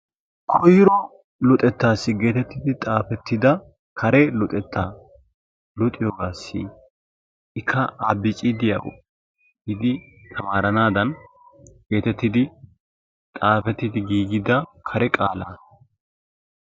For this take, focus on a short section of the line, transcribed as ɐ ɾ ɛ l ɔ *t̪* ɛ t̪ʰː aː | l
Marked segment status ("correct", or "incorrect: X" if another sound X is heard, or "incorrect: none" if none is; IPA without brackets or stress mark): incorrect: t̪ʼ